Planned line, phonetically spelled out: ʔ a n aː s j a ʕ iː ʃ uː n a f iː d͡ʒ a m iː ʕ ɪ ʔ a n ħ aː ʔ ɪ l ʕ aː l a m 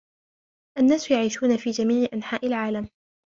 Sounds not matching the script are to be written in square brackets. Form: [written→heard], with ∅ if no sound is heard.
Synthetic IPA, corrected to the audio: ʔ a [n→nː] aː s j a ʕ iː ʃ uː n a f iː d͡ʒ a m iː ʕ ɪ ʔ a n ħ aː ʔ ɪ l ʕ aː l a m